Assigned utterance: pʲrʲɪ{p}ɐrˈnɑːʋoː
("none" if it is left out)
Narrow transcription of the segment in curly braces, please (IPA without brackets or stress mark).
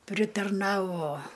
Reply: t